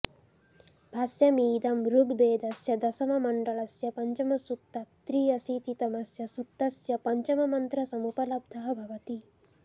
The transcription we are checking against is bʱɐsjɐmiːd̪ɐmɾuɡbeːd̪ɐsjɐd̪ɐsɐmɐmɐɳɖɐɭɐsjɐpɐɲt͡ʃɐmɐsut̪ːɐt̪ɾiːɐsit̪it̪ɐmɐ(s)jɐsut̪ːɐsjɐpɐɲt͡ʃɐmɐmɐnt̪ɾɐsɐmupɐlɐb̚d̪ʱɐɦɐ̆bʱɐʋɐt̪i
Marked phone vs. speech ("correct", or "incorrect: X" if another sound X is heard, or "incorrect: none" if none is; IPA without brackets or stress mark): correct